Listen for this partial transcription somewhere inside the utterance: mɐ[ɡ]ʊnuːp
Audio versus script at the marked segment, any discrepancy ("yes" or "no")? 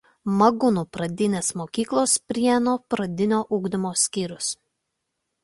no